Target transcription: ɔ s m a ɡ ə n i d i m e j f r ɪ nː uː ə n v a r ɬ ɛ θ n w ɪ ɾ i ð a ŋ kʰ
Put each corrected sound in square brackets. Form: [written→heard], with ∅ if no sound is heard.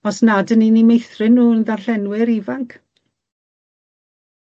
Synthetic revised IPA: ɔ s [m→n] a [ɡ→d] ə n i [d→n] i m e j [f→θ] r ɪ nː uː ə n [v→ð] a r ɬ ɛ [θ→∅] n w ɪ ɾ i [ð→v] a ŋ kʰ